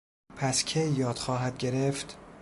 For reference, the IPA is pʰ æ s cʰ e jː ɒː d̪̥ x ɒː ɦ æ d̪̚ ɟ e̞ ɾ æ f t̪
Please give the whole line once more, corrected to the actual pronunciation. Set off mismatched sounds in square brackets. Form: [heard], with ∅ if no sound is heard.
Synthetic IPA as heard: pʰ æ s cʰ e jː ɒː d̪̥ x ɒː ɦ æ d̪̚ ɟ e̞ ɾ [e] f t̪